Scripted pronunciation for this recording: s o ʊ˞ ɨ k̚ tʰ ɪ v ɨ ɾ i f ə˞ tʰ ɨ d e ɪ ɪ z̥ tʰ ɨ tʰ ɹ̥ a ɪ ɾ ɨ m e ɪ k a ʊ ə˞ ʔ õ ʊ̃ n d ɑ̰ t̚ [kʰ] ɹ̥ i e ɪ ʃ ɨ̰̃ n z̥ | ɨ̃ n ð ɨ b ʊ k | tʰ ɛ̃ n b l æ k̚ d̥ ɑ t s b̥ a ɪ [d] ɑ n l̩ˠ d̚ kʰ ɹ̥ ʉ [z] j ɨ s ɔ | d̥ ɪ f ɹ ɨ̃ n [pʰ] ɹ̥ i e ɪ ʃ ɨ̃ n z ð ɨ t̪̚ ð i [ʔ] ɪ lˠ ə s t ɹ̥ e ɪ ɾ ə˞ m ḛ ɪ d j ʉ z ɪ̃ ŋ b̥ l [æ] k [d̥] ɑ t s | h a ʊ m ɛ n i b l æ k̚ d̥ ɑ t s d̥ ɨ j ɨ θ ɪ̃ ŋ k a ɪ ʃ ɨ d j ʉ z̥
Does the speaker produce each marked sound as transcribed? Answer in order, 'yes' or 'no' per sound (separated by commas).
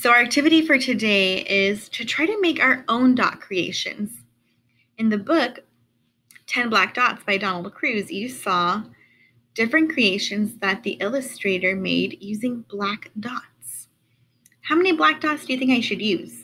yes, yes, yes, no, yes, yes, yes